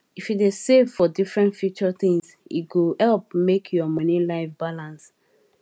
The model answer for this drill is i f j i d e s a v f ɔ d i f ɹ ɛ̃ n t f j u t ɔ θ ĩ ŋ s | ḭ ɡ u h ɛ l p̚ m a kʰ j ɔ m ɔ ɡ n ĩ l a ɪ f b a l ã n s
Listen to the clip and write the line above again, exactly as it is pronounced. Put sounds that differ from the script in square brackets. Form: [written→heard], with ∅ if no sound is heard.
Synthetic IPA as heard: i f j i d e s [a→e] v f ɔ d i f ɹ ɛ̃ n t f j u [t→t͡ʃ] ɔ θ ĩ ŋ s | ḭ ɡ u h ɛ l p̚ m [a→e] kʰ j ɔ m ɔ [ɡ→∅] n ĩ l a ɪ f b a l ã n s